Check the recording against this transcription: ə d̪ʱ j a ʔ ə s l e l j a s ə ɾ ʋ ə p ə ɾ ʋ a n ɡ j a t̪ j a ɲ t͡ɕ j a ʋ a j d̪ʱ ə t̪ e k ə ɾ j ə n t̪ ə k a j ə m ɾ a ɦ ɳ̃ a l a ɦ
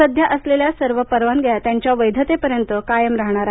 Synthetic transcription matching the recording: ə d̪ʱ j a ʔ ə s l e l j a s ə ɾ ʋ ə p ə ɾ ʋ a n ɡ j a t̪ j a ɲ t͡ɕ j a ʋ ə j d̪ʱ ə t̪ e p ə ɾ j ə n t̪ ə k a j ə m ɾ a ɦ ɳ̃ a ɾ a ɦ